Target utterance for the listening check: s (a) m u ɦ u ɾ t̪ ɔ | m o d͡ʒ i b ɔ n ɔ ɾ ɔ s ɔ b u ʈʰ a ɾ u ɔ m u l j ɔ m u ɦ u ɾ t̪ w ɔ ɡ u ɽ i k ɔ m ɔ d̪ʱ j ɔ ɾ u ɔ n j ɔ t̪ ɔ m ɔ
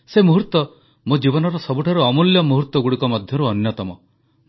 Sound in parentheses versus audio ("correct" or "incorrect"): incorrect